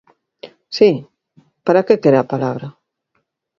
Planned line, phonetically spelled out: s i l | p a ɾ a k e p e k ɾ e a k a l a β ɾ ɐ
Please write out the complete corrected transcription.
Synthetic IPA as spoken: s i | p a ɾ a k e k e ɾ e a p a l a β ɾ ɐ